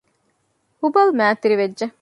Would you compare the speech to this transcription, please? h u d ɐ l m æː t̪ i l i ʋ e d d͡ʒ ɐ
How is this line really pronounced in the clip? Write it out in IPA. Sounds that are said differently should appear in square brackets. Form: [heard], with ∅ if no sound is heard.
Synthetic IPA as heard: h u [b] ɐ l m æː t̪ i [ɾ] i ʋ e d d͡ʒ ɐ